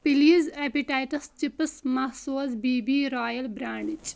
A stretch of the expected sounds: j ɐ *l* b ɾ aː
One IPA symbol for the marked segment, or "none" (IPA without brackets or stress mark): l